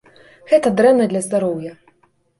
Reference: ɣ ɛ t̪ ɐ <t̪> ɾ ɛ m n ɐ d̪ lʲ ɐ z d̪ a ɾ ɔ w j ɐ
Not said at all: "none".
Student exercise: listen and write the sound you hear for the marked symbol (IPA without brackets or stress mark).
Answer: d̪